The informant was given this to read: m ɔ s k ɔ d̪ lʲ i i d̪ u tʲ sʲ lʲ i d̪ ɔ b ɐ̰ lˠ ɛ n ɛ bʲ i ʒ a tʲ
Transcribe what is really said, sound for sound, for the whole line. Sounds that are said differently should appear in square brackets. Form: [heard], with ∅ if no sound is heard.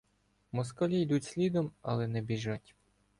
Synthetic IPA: m ɔ s k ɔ [∅] lʲ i [j] d̪ u tʲ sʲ lʲ i d̪ ɔ [m] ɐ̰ lˠ ɛ n ɛ bʲ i ʒ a tʲ